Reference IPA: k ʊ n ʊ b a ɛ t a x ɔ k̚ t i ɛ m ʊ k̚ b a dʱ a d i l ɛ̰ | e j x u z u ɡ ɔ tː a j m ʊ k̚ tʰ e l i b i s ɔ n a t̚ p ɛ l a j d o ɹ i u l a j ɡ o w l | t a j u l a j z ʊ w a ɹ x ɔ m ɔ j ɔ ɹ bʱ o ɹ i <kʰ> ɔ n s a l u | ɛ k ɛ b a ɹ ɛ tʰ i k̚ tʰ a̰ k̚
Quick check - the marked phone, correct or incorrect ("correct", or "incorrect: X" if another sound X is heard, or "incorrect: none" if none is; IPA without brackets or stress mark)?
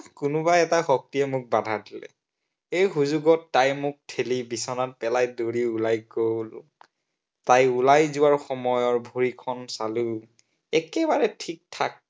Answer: correct